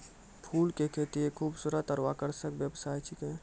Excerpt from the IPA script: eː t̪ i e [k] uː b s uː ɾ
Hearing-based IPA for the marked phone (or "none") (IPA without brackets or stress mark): kʰ